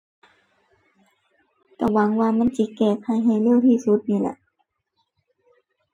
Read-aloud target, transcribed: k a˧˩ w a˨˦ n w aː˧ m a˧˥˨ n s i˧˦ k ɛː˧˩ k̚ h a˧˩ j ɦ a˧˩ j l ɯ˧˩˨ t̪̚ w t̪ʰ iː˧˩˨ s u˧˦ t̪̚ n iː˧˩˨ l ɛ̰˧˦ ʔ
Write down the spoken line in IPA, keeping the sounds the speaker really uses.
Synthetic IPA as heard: k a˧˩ w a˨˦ ŋ w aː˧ m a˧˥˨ n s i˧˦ k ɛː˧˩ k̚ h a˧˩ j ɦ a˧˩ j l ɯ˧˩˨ w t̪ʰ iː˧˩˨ s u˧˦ t̪̚ n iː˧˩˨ l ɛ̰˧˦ ʔ

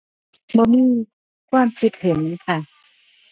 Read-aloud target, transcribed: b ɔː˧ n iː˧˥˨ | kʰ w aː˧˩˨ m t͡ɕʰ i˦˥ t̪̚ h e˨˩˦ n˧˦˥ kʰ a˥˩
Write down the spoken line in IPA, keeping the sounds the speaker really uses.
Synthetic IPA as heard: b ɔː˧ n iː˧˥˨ | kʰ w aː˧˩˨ m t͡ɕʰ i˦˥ t̪̚ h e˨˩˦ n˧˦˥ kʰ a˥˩

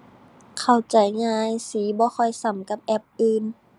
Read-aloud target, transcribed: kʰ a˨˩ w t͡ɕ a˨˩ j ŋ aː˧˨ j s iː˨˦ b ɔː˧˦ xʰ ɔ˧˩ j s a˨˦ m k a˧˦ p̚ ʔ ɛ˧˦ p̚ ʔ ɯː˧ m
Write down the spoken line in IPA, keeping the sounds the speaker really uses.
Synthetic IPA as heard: kʰ a˨˩ w t͡ɕ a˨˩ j ŋ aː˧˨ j s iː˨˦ b ɔː˧˦ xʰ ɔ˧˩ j s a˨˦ m k a˧˦ p̚ ʔ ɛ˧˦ p̚ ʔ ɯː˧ n

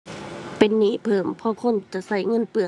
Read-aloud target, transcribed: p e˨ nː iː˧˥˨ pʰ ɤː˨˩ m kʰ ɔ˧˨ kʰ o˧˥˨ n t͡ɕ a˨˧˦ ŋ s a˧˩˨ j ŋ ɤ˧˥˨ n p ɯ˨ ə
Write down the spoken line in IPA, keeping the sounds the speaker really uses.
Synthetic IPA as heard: p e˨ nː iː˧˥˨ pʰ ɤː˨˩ m pʰ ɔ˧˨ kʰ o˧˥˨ n t͡ɕ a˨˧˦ s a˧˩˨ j ŋ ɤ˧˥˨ n p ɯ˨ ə

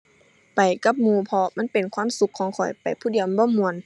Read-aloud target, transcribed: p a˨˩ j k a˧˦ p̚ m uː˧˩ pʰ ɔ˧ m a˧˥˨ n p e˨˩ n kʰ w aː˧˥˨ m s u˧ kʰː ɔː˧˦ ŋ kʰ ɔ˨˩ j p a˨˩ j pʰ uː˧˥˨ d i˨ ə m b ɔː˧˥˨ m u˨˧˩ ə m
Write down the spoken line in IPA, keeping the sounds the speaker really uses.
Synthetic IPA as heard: p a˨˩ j k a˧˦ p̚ m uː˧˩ pʰ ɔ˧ m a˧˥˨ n p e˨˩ n kʰ w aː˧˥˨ m s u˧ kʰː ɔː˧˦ ŋ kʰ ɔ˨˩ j p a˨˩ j pʰ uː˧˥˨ d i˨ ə m b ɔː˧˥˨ m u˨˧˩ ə n

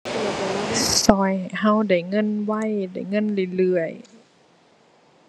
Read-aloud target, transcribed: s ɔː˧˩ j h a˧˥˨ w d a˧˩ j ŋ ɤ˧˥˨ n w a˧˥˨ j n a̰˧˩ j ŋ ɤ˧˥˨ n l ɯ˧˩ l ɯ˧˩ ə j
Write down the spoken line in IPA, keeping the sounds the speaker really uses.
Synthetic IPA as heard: s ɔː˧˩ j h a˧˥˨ w d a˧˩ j ŋ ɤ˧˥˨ n w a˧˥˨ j d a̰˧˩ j ŋ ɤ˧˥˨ n l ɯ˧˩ l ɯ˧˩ ə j

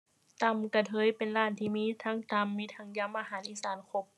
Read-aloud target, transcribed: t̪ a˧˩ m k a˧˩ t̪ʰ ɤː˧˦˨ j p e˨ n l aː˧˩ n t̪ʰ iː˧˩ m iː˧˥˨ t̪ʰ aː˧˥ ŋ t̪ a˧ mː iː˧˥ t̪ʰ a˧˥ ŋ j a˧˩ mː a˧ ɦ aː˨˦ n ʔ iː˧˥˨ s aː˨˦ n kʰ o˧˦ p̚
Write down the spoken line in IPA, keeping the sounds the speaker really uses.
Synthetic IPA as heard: t̪ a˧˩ m k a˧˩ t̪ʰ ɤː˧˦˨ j p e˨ n l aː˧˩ n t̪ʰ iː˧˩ m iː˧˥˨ t̪ʰ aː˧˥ ŋ t̪ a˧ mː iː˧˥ t̪ʰ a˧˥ ŋ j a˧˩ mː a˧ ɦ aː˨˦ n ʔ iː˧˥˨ s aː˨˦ n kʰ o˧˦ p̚

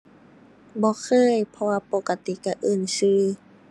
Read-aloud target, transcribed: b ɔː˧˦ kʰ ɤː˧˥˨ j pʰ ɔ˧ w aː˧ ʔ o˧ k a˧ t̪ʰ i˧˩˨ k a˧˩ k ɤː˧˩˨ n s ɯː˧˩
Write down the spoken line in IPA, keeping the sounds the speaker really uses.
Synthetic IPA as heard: b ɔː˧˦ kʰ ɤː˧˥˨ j pʰ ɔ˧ w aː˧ p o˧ k a˧ t̪ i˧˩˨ k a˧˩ ʔ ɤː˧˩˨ n s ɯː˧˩

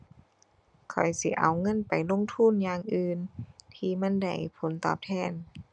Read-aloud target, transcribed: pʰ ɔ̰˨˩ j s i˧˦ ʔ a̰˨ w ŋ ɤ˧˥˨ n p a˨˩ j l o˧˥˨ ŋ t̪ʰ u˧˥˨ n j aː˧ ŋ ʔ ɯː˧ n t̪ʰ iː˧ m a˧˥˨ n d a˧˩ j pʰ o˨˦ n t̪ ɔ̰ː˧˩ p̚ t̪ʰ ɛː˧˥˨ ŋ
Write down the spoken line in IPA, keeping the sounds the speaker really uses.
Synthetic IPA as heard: kʰ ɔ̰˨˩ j s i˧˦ ʔ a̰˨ w ŋ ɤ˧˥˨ n p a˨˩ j l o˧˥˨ ŋ t̪ʰ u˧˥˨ n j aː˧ ŋ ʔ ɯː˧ n t̪ʰ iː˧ m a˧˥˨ n d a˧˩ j pʰ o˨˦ n t̪ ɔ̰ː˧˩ p̚ t̪ʰ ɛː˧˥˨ n

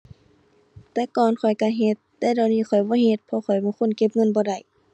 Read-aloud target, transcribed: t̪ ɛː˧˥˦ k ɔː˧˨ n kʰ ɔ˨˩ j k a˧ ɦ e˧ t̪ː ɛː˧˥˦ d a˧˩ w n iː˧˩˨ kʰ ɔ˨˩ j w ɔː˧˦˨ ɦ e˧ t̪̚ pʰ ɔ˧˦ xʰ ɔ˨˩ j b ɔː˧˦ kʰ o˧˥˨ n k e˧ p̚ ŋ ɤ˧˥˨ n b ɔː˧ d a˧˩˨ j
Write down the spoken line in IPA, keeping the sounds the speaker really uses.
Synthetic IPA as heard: t̪ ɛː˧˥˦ k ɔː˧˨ n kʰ ɔ˨˩ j k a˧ ɦ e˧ t̪ː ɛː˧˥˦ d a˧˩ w n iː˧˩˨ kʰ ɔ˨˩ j b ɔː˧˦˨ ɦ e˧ t̪̚ pʰ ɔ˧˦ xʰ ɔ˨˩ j b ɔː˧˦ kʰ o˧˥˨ n k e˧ p̚ ŋ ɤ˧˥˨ n b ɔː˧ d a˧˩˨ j

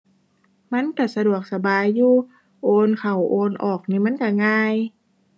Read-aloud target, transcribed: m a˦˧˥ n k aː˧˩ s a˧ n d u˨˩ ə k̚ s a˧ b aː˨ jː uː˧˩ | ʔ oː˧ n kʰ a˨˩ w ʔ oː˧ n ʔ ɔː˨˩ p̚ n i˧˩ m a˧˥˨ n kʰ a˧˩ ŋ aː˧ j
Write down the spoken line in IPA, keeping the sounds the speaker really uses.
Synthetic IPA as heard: m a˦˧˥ n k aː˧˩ s a˧ d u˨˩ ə k̚ s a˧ b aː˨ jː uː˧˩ | ʔ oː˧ n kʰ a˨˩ w ʔ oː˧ n ʔ ɔː˨˩ k̚ n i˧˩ m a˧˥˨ n k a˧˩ ŋ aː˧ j

